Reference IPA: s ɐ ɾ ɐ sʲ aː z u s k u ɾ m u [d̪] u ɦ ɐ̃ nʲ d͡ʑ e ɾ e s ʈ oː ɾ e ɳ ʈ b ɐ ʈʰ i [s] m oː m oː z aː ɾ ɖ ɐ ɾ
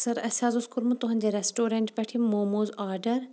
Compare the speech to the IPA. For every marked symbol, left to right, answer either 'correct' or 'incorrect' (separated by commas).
incorrect, incorrect